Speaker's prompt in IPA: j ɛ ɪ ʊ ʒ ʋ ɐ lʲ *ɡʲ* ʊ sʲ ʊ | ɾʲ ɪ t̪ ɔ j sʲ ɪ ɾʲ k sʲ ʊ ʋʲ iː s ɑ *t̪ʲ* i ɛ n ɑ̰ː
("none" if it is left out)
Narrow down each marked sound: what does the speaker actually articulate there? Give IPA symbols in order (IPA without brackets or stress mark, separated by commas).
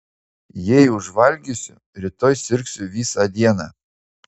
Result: ɡʲ, d̪ʲ